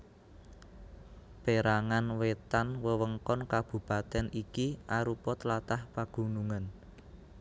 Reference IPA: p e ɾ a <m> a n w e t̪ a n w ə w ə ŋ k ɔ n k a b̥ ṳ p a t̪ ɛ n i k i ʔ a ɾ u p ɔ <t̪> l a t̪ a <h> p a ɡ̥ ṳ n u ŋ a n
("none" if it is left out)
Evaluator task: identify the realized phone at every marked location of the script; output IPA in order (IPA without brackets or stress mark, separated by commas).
ŋ, t̪, h